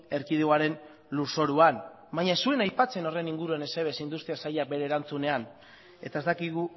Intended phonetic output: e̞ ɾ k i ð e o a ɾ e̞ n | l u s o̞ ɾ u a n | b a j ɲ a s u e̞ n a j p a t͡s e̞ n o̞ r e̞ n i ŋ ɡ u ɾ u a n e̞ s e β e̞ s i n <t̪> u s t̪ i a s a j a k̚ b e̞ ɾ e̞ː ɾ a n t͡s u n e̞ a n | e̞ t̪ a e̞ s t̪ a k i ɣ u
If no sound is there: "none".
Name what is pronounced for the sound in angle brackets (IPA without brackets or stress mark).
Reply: d̪